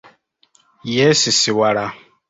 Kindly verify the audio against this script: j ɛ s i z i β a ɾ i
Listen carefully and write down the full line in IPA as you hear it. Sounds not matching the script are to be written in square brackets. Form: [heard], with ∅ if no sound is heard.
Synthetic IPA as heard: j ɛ s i [s] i [w] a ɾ [a]